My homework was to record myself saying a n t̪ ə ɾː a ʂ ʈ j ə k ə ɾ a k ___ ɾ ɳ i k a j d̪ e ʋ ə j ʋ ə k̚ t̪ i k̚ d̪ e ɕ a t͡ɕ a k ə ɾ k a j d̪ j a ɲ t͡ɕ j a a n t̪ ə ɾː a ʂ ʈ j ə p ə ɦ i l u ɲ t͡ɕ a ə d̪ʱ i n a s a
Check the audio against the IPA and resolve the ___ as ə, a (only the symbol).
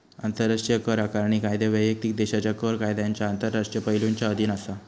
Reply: a